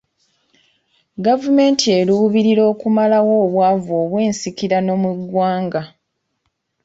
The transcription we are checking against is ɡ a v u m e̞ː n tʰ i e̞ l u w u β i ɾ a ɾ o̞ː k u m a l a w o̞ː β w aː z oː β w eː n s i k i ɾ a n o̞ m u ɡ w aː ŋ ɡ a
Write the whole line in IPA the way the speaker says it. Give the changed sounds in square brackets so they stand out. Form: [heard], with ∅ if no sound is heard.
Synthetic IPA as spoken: ɡ a v u m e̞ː n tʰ i e̞ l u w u β i ɾ [i] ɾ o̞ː k u m a l a w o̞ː β w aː [v] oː β w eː n s i k i ɾ a n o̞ m u ɡ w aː ŋ ɡ a